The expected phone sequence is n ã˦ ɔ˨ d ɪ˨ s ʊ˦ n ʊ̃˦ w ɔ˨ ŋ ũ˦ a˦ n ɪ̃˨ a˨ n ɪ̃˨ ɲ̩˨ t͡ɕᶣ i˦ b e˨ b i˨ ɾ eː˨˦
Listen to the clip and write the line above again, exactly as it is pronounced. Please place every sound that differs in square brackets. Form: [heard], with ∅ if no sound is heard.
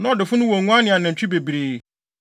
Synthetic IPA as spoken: n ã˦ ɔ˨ d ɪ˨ [f] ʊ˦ n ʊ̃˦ w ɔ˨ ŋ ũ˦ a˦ n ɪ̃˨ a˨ n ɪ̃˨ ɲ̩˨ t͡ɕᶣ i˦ b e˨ b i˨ ɾ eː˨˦